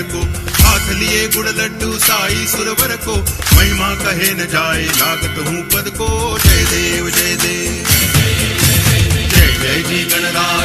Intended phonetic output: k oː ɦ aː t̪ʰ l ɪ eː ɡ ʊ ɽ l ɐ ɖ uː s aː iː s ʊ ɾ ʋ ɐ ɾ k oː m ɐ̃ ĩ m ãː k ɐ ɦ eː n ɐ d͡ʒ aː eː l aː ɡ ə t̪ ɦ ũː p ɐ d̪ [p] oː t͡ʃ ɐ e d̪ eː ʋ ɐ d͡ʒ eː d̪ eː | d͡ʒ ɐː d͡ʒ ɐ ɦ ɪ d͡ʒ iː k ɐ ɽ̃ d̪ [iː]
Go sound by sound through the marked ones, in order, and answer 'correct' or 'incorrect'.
incorrect: k, incorrect: aː

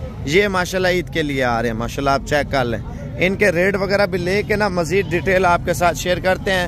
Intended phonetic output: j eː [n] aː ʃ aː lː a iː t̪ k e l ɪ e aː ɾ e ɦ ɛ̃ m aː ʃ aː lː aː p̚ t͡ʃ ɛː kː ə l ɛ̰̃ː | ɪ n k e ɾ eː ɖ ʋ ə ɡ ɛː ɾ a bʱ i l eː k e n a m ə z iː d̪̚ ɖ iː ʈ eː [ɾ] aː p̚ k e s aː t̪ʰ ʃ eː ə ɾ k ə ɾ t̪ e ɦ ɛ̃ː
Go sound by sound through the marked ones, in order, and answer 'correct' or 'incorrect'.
incorrect: m, incorrect: l

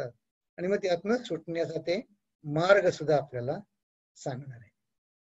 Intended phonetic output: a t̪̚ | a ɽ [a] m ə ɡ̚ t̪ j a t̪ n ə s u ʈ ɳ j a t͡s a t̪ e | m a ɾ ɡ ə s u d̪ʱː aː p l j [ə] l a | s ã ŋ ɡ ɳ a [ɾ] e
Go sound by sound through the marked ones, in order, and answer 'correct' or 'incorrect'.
incorrect: i, incorrect: a, correct

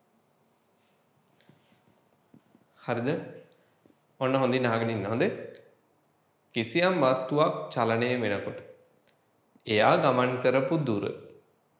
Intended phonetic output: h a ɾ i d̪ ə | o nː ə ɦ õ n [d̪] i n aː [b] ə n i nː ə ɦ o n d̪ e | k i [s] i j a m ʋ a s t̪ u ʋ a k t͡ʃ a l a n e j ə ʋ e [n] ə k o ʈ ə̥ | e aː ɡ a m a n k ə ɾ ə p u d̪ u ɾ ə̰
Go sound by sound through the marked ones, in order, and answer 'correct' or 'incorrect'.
correct, incorrect: ɡ, correct, correct

